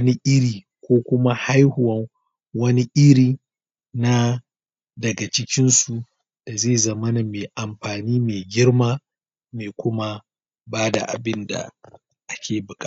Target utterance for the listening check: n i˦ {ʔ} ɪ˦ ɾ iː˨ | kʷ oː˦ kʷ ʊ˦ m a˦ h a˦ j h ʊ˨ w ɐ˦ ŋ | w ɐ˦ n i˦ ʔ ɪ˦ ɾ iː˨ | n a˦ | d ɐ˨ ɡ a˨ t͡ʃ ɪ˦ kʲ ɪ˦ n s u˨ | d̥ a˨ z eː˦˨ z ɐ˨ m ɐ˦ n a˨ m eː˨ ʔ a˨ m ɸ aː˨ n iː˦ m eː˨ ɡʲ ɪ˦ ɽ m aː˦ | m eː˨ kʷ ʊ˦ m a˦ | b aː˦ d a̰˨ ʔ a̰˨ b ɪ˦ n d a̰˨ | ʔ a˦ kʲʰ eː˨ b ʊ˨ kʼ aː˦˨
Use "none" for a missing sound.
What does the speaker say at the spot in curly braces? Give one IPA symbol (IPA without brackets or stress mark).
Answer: ʔ